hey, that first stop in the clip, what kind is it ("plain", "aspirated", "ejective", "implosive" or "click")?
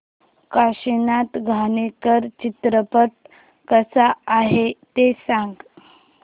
plain